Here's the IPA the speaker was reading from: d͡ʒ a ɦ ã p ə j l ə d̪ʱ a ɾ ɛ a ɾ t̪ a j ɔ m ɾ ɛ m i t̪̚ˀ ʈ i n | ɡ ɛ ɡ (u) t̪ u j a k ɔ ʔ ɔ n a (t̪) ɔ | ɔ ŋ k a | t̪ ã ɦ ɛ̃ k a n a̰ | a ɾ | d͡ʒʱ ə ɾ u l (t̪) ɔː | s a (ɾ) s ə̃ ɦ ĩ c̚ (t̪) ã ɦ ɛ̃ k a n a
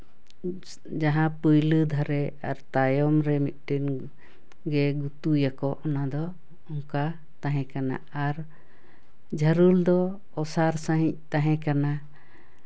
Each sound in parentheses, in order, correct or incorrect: correct, incorrect, incorrect, correct, correct

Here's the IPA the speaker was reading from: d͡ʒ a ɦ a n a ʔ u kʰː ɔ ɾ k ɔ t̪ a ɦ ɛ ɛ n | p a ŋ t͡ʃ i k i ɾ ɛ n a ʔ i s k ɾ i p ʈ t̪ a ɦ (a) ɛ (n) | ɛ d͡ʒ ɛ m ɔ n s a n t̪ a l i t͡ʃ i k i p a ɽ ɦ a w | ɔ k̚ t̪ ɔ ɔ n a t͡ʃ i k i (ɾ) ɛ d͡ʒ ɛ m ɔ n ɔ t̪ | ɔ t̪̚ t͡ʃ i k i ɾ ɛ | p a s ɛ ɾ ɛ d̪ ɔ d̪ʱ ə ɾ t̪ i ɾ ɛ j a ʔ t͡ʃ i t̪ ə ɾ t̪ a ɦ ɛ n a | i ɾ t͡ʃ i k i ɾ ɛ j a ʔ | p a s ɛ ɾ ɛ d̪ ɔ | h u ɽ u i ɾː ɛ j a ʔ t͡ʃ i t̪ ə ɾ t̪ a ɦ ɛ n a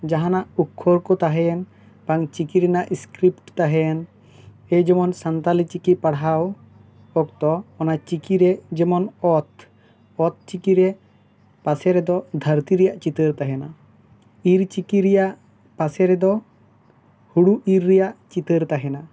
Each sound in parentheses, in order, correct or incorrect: incorrect, correct, correct

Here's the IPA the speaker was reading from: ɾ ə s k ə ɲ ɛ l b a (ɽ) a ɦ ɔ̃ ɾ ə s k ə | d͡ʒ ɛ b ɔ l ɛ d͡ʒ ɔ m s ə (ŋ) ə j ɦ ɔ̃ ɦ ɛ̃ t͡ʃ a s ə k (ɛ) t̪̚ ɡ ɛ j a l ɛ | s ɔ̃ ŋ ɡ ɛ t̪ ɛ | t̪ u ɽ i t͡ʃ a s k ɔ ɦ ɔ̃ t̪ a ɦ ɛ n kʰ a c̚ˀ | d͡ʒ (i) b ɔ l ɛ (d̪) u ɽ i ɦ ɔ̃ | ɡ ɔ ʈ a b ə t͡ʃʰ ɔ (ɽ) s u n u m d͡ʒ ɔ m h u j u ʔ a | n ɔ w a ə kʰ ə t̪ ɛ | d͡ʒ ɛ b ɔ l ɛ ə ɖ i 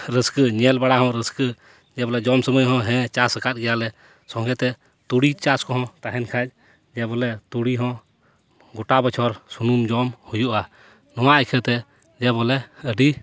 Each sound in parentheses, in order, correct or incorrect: correct, incorrect, incorrect, incorrect, incorrect, incorrect

